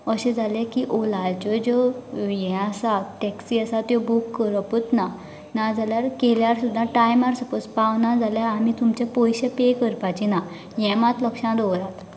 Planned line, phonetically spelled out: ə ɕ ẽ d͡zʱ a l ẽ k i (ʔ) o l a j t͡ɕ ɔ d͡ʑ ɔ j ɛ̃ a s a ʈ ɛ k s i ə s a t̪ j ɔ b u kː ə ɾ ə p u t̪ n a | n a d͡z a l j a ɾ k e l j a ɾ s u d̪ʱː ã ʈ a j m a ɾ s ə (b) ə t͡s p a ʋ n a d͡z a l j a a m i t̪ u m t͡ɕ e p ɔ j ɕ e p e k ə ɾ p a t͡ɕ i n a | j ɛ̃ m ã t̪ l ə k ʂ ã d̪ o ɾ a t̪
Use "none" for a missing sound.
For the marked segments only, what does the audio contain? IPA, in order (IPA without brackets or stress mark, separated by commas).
ʔ, p